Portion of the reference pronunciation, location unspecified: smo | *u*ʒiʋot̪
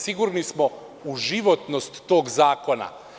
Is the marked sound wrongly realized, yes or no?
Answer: no